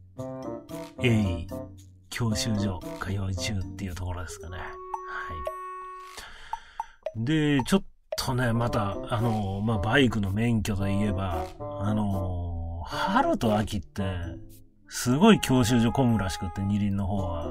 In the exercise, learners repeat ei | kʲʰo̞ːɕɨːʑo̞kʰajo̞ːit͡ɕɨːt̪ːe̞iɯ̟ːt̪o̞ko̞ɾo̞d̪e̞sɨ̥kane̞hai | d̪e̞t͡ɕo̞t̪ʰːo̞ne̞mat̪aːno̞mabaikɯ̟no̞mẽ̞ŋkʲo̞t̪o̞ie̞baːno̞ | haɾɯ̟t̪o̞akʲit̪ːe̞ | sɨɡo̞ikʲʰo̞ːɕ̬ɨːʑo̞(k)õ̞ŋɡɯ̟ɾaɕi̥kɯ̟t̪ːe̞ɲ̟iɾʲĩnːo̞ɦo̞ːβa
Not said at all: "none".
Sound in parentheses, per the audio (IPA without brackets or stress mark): k